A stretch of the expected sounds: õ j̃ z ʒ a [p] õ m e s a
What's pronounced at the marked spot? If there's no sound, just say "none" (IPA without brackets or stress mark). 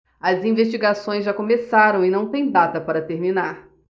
k